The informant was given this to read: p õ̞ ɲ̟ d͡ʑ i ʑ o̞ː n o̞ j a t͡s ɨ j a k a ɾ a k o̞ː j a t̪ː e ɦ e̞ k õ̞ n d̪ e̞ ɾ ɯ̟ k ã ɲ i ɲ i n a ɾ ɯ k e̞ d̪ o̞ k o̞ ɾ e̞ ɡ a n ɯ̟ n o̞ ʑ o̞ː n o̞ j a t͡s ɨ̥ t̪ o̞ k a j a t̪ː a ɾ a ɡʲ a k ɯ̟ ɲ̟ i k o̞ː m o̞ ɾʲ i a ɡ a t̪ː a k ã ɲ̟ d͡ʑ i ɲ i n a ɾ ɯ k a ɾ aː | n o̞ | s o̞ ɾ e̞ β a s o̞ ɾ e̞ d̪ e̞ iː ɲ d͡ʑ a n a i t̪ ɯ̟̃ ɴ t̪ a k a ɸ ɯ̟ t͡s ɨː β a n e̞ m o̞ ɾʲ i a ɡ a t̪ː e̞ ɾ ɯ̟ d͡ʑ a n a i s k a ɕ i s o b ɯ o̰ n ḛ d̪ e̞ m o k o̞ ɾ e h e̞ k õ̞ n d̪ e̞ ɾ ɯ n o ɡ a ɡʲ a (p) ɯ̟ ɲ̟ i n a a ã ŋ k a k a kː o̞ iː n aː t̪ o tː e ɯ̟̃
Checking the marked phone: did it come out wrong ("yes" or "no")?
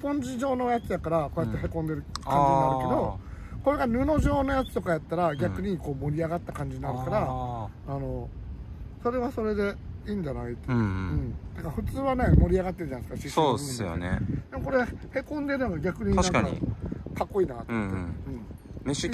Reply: yes